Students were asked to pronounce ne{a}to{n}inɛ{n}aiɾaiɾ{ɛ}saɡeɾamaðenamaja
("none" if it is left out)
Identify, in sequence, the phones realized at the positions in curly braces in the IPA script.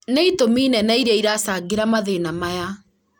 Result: i, m, n, a

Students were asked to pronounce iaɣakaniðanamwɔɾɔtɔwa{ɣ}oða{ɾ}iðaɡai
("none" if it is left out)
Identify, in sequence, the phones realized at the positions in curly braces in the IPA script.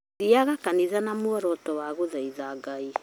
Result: ɣ, none

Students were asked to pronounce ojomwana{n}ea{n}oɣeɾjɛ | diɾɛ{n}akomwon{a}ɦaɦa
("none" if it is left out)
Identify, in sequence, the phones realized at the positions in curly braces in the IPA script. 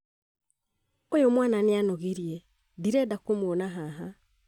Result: n, n, d, a

